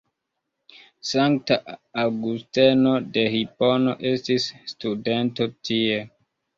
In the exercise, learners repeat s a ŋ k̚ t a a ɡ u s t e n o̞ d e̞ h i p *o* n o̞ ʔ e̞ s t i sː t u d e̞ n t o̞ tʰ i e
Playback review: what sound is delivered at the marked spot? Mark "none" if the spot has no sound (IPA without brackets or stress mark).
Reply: o